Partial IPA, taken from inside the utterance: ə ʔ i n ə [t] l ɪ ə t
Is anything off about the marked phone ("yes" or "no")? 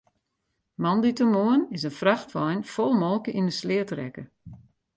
yes